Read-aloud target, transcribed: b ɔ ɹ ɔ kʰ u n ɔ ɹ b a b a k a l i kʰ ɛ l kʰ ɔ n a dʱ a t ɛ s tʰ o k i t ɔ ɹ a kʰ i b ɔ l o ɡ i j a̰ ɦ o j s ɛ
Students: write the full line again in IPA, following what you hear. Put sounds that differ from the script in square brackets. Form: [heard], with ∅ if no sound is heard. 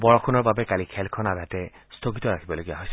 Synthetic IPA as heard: b ɔ ɹ ɔ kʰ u n ɔ ɹ b a b [ɛ] k a l i kʰ ɛ l kʰ ɔ n a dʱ a t ɛ s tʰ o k i t ɔ ɹ a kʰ i b ɔ l o ɡ i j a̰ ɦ o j s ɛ